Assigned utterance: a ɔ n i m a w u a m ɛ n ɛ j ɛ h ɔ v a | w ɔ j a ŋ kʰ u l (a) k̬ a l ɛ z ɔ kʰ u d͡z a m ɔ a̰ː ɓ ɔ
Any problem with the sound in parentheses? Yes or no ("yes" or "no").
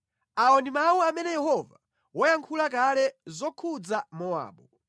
no